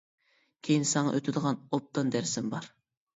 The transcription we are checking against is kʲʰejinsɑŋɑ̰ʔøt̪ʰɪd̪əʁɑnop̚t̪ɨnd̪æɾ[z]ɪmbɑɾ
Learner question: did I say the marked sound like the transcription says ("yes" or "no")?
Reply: no